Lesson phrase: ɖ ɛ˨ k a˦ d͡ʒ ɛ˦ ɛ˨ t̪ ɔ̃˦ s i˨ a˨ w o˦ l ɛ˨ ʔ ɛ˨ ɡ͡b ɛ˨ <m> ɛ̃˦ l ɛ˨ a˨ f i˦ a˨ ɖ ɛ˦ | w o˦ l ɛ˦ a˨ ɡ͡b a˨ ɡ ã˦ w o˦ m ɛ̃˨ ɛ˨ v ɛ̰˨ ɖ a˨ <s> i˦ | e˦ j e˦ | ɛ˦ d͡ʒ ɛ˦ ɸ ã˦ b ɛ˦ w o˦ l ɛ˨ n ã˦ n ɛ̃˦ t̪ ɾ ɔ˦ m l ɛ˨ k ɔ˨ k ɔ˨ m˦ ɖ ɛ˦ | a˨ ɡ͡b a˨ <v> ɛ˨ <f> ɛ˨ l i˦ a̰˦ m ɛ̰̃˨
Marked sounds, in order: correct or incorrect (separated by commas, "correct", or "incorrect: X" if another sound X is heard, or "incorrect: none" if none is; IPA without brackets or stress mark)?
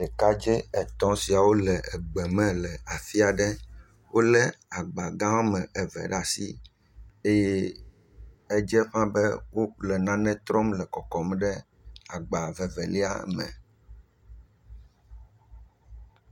correct, correct, correct, incorrect: v